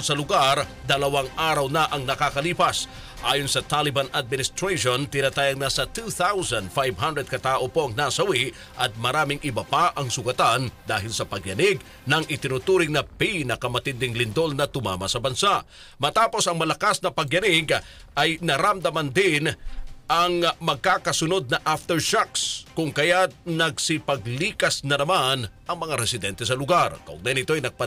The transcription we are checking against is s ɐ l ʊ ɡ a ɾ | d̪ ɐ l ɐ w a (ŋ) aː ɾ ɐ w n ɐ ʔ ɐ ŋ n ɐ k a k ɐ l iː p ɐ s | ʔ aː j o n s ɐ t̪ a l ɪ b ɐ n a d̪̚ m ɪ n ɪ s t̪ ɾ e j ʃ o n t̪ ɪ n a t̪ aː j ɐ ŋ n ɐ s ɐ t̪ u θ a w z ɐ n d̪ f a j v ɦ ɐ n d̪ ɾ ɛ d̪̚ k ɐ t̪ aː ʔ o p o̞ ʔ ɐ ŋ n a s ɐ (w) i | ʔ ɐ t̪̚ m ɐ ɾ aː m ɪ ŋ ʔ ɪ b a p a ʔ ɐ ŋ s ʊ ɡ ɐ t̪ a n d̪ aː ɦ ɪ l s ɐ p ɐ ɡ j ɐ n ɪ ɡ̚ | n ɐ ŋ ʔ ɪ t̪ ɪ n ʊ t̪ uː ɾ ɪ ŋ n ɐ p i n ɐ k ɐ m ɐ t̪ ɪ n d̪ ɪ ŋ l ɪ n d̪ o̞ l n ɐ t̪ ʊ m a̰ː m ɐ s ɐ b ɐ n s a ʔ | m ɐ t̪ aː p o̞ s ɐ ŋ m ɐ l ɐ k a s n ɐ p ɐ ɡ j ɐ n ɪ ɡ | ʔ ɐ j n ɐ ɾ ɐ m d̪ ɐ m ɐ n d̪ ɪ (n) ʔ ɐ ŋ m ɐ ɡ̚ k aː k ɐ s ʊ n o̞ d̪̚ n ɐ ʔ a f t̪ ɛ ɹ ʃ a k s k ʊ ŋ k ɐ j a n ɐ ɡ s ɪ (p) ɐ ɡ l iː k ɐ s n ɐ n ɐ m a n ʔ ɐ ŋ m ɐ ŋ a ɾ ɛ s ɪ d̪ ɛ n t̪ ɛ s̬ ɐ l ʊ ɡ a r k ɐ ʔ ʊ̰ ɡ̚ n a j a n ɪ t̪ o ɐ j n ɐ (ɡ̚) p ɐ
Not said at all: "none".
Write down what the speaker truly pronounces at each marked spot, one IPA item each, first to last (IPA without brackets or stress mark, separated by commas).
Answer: ŋ, w, n, p, ɡ̚